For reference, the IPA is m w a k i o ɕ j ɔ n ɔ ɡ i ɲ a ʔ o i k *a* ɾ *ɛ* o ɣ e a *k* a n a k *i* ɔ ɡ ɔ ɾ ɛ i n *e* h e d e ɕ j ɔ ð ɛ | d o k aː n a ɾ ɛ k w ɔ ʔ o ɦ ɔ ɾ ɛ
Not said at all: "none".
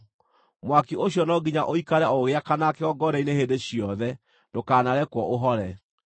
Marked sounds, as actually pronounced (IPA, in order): a, ɛ, k, e, e

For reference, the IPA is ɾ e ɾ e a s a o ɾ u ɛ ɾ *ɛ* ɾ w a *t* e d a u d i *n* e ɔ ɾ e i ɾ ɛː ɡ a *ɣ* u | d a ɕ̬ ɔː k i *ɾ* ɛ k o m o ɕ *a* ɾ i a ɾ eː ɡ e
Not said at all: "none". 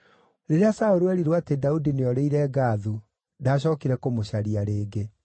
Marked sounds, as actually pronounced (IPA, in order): i, t, n, ð, ɾ, a

